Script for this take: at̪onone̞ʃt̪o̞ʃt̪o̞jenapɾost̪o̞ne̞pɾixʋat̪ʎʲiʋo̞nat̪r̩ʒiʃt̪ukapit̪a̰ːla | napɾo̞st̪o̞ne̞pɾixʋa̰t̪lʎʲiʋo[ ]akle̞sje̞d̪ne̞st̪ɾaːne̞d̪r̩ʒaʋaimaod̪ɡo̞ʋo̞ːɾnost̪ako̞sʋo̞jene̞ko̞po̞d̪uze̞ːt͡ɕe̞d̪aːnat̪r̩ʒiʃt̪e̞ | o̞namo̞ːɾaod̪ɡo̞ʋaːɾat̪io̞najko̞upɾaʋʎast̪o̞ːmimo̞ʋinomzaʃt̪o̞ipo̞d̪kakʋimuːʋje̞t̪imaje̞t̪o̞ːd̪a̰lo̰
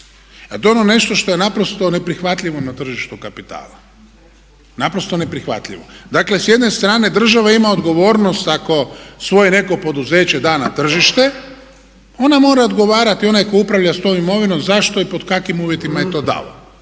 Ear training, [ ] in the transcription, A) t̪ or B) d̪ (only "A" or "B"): B